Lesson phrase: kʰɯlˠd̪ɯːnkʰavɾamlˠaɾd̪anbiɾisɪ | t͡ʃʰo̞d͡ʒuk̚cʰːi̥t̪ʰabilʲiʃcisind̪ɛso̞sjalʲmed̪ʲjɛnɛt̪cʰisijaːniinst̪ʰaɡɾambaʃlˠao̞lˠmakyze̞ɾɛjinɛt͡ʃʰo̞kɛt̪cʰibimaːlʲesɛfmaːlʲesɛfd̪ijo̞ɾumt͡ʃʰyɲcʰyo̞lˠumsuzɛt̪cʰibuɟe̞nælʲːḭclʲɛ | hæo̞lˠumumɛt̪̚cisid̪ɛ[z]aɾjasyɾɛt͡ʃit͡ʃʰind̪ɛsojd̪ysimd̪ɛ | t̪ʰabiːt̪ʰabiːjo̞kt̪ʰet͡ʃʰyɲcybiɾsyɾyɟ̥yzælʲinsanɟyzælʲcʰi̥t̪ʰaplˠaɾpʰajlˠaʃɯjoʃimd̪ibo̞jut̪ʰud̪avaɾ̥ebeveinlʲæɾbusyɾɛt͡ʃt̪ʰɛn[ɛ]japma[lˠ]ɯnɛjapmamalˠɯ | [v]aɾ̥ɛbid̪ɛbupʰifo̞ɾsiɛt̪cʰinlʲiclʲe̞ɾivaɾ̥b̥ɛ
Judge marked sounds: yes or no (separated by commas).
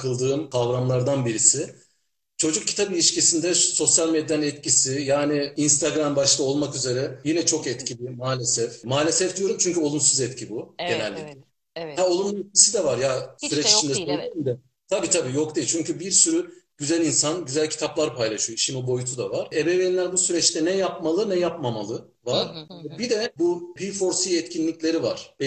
no, yes, yes, yes